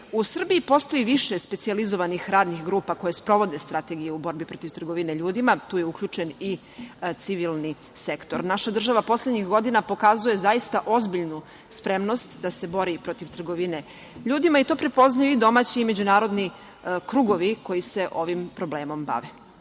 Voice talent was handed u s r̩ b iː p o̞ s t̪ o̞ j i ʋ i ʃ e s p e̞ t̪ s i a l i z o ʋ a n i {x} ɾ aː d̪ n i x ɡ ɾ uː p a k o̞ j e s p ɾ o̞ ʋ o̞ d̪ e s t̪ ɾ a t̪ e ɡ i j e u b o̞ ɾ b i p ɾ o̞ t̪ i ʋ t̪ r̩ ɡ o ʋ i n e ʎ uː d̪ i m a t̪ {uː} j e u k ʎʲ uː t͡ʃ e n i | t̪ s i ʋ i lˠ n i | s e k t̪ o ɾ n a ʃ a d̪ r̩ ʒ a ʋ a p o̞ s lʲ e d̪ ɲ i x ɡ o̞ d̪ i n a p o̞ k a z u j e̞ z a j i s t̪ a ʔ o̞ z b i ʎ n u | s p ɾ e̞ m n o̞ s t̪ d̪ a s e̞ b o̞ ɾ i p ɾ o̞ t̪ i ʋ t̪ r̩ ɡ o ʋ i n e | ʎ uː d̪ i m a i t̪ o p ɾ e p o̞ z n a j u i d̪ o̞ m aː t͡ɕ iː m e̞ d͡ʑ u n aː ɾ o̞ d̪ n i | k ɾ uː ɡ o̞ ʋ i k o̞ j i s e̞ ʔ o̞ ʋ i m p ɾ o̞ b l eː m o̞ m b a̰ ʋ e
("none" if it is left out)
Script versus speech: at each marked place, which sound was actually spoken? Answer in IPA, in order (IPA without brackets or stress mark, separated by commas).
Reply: x, uː